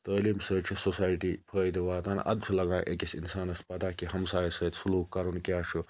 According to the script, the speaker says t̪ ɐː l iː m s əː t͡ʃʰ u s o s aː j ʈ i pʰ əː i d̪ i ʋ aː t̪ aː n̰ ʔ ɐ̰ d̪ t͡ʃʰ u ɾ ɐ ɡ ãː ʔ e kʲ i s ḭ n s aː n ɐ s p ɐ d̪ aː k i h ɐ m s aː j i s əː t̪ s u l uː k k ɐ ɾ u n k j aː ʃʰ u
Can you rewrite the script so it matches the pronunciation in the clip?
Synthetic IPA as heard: t̪ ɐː l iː m s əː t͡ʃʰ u s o s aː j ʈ i pʰ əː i d̪ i ʋ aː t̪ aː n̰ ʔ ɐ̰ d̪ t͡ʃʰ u l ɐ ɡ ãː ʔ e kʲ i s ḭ n s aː n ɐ s p ɐ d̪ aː k i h ɐ m s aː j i s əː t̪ s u l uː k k ɐ ɾ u n k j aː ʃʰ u